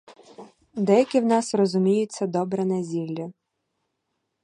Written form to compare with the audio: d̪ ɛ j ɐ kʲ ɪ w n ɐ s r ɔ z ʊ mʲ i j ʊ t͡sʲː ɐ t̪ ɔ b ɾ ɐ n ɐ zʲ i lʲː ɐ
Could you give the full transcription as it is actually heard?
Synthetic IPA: d̪ ɛ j ɐ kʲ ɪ w n ɑ s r ɔ z ʊ mʲ i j ʊ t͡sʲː ɐ d̪ ɔ b ɾ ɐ n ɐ zʲ i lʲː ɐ